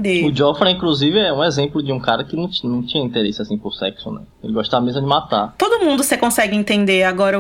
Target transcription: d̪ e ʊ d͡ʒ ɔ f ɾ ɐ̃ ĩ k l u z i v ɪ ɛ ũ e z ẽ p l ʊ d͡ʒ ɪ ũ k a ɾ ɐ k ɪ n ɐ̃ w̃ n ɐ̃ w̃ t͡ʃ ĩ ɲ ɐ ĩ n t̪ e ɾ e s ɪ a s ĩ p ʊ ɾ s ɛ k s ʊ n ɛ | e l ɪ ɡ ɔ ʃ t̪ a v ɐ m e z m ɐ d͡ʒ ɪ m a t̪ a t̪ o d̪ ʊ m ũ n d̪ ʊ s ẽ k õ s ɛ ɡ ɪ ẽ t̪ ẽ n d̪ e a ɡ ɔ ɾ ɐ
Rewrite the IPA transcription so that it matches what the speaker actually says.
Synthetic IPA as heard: d̪ e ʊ d͡ʒ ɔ f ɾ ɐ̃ ĩ k l u z i v ɪ ɛ ũ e z ẽ p l ʊ d͡ʒ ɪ ũ k a ɾ ɐ k ɪ n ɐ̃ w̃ n ɐ̃ w̃ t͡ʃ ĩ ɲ ɐ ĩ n t̪ e ɾ e s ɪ a s ĩ p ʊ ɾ s ɛ k s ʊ n ɛ | e l ɪ ɡ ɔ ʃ t̪ a v ɐ m e z m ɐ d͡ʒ ɪ m a t̪ a t̪ o d̪ ʊ m ũ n d̪ ʊ s e k õ s ɛ ɡ ɪ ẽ t̪ ẽ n d̪ e a ɡ ɔ ɾ ɐ